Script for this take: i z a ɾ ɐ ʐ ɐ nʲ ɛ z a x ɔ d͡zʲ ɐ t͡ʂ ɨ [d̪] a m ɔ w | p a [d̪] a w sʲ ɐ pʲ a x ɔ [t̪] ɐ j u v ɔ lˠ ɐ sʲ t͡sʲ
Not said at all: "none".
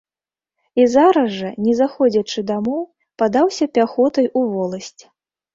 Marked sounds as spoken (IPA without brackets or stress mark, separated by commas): d̪, d̪, t̪